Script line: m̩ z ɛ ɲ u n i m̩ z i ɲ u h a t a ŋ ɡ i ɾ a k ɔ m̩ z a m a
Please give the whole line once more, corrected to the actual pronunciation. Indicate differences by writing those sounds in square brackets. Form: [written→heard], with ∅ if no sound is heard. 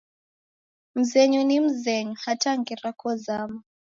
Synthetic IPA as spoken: m̩ z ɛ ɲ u n i m̩ z [i→ɛ] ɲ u h a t a ŋ ɡ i ɾ a k ɔ [m̩→∅] z a m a